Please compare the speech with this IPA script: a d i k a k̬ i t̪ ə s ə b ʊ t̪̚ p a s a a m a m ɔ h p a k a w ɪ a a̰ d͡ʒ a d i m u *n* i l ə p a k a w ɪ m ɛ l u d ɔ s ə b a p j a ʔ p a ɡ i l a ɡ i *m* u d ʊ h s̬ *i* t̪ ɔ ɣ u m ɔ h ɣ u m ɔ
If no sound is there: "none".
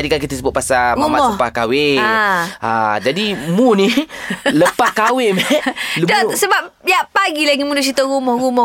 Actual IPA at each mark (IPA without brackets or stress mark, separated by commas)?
n, m, i